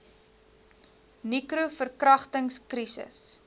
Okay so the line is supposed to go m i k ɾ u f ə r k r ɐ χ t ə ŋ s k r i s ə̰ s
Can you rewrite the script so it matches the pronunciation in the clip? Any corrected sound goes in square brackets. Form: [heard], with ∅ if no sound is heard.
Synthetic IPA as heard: [n] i k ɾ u f ə r k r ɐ χ t ə ŋ s k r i s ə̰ s